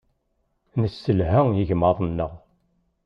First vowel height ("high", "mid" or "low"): mid